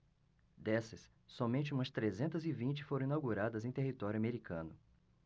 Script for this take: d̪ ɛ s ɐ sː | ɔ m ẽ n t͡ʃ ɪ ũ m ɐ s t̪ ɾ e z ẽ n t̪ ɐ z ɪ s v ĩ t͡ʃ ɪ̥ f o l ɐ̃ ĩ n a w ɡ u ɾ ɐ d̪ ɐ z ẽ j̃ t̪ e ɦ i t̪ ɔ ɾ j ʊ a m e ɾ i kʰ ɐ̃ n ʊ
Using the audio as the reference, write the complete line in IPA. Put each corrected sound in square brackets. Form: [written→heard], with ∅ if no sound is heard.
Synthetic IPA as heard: d̪ ɛ s ɐ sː | ɔ m ẽ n t͡ʃ ɪ ũ m ɐ s t̪ ɾ e z ẽ n t̪ ɐ z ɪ [s→∅] v ĩ t͡ʃ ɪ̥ f o [l→ɾ] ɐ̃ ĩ n a w ɡ u ɾ [ɐ→a] d̪ ɐ z ẽ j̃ t̪ e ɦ i t̪ ɔ ɾ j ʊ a m e ɾ i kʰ ɐ̃ n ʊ